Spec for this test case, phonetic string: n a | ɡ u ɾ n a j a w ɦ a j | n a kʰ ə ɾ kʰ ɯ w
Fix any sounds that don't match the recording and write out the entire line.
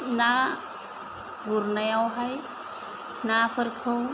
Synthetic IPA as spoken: n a | ɡ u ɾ n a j a w ɦ a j | n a pʰ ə ɾ kʰ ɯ w